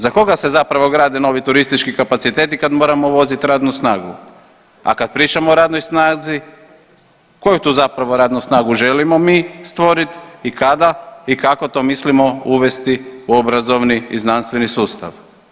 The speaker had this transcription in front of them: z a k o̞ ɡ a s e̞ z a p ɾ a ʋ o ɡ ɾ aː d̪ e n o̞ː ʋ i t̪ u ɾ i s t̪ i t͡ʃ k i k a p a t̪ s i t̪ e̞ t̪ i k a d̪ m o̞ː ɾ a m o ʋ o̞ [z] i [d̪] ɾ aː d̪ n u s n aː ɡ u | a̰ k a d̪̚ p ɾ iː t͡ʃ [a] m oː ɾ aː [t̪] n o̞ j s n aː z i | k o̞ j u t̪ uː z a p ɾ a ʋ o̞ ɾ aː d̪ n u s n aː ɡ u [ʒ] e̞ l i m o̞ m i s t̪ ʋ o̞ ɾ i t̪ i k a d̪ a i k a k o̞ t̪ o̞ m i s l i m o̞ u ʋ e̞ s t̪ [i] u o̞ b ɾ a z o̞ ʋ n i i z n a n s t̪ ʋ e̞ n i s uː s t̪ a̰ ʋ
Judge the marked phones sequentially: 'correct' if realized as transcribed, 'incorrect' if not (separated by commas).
correct, incorrect, correct, incorrect, correct, correct